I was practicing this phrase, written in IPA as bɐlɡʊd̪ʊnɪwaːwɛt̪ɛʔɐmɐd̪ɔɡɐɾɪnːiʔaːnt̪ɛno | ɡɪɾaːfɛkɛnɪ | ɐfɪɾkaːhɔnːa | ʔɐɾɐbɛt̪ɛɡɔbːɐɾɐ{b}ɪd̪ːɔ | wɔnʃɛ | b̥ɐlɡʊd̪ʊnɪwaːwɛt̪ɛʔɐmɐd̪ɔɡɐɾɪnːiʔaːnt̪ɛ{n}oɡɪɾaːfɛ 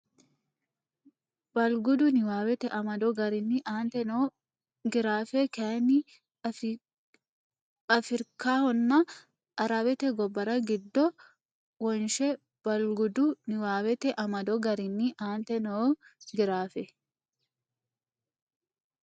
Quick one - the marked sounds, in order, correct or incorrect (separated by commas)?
incorrect, correct